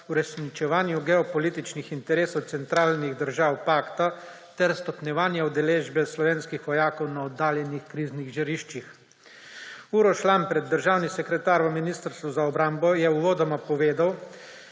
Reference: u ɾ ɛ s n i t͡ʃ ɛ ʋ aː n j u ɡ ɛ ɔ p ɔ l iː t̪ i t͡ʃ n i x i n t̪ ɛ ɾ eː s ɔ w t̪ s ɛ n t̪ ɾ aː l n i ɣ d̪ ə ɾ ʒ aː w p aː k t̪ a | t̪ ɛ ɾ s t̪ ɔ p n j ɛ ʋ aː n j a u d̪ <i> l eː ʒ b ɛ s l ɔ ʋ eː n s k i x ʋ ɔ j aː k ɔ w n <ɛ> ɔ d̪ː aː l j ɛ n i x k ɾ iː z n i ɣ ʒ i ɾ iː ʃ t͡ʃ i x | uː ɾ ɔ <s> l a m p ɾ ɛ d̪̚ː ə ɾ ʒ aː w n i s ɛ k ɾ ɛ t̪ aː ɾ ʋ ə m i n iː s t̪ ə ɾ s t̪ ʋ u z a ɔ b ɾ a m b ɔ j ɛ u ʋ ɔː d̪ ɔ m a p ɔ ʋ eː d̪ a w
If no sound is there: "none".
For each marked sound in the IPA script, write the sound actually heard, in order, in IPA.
ɛ, a, ʃ

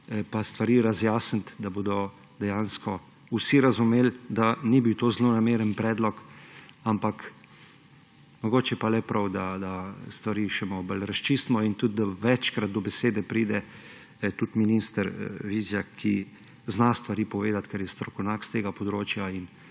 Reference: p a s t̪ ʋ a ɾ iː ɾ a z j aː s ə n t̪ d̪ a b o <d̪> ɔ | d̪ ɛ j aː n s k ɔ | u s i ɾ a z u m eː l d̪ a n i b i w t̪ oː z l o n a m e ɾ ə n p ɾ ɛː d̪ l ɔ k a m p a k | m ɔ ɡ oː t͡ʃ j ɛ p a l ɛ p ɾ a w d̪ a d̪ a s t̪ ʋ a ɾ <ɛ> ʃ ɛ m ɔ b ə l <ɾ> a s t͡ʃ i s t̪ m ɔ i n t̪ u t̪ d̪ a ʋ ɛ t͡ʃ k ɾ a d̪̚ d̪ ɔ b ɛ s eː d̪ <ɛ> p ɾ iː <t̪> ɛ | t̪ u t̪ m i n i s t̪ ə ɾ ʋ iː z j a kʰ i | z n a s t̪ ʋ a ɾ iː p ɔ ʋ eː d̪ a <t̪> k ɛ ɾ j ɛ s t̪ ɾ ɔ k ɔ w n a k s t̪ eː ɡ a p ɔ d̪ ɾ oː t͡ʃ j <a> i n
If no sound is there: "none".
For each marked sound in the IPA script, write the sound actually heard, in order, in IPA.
d̪, i, ɾ, ɛ, d̪, t̪, a

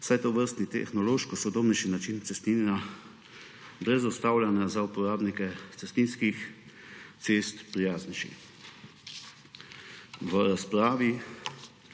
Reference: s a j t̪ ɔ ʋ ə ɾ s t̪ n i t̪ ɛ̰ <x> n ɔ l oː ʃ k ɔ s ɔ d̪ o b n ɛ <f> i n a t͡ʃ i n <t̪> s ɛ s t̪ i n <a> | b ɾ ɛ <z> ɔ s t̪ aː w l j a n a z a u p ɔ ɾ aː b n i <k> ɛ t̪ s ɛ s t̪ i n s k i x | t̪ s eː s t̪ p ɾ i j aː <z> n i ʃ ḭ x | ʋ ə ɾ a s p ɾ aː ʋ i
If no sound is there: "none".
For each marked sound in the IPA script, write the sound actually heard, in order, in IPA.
x, ʃ, t̪, a, z, k, z

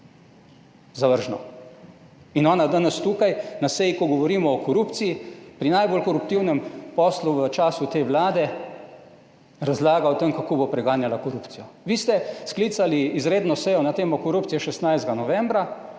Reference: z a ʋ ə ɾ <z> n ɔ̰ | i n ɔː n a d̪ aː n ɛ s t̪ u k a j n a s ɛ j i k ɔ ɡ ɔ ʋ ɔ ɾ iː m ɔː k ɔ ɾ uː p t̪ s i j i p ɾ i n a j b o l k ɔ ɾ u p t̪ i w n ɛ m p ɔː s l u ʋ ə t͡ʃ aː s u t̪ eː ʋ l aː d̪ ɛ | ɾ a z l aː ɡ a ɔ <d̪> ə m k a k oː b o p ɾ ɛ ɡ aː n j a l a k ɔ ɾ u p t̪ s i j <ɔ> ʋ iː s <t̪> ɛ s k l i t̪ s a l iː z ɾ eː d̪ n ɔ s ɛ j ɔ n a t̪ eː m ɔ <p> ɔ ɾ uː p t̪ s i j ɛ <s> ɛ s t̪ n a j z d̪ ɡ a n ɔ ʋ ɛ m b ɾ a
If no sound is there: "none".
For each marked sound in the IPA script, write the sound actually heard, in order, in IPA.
ʒ, t̪, ɔ, t̪, k, ʃ

